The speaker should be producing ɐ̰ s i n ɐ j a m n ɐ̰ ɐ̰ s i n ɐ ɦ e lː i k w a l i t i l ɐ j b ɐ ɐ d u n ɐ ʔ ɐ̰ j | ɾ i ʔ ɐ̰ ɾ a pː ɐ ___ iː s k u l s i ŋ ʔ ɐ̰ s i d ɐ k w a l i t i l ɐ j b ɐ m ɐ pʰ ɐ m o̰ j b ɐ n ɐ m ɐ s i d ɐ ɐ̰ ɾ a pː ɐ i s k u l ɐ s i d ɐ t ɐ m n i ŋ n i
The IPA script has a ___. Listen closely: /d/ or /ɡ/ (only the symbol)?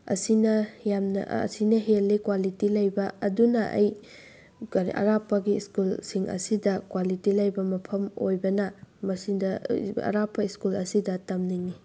ɡ